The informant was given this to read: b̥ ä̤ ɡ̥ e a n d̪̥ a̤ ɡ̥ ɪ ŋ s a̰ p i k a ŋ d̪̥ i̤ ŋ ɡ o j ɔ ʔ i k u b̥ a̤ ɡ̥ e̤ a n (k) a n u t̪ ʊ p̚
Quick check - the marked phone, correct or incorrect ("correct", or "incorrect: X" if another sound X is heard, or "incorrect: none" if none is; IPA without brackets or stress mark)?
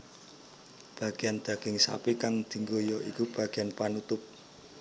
incorrect: p